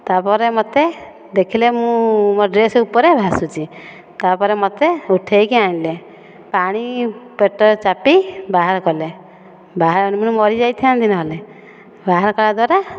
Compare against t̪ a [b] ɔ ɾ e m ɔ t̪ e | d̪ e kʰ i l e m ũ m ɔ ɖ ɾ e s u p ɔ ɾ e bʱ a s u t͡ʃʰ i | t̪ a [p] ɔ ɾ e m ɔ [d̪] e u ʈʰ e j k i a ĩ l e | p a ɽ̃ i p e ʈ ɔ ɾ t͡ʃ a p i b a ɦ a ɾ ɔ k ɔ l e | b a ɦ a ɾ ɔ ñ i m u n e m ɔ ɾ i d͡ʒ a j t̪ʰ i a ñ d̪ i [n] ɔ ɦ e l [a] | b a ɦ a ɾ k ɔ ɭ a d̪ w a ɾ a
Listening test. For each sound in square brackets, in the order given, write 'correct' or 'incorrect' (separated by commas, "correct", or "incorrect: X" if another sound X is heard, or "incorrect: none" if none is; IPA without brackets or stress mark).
incorrect: p, correct, incorrect: t̪, correct, incorrect: e